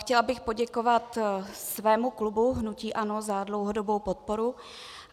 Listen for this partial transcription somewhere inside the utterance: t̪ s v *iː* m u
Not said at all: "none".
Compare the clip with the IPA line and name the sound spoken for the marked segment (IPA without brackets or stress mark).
ɛː